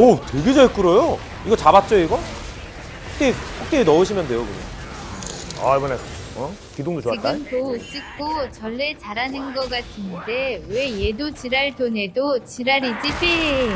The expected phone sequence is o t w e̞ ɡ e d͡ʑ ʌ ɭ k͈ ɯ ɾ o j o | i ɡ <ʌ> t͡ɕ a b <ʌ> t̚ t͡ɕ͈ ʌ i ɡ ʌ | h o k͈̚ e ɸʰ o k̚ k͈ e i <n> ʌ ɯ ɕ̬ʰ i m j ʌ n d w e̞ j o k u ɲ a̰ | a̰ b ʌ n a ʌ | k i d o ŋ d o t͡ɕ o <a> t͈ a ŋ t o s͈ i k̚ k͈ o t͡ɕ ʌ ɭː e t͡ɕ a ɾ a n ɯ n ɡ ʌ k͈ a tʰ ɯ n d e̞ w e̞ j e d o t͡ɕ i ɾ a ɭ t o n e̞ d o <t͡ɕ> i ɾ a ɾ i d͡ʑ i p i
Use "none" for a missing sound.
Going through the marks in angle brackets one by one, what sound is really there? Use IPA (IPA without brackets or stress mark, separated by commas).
ʌ, a, n, a, t͡ɕ